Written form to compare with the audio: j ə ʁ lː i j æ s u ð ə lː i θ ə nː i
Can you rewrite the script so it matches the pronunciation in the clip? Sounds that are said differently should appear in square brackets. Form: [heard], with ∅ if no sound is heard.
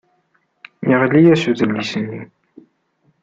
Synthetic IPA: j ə ʁ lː i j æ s u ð ə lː i [s] ə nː i